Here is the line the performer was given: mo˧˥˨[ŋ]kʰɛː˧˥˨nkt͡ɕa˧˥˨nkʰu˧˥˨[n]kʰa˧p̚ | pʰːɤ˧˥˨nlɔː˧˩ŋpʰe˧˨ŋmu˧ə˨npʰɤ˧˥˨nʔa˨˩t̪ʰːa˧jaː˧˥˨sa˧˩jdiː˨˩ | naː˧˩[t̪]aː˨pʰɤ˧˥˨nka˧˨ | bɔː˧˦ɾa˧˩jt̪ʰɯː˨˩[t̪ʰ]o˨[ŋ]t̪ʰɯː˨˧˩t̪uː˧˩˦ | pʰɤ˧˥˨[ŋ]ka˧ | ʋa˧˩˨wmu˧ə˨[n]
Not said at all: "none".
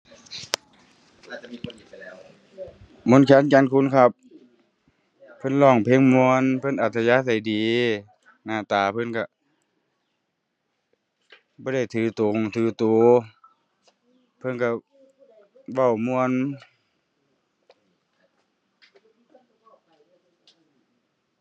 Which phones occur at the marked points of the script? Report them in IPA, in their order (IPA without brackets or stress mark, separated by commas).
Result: n, n, t̪, t̪, ŋ, n, n